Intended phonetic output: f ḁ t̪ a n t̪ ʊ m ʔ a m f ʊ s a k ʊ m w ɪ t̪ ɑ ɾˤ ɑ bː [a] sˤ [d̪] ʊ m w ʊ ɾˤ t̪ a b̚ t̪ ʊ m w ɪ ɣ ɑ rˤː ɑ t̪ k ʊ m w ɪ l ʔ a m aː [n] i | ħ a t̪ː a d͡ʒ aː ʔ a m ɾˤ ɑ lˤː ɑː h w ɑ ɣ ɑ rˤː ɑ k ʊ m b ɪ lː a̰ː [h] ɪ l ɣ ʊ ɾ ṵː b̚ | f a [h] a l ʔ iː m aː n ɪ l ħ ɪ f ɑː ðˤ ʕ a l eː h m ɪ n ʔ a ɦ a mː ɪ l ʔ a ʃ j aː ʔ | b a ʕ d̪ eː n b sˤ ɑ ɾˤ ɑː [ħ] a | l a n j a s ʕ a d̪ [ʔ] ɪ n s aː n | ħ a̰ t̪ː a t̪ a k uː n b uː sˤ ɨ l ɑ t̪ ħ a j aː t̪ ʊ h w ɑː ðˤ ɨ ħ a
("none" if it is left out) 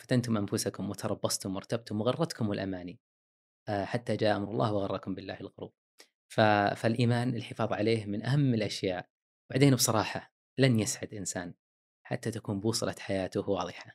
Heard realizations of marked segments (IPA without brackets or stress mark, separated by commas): ɑ, t̪, n, h, f, ħ, ʔ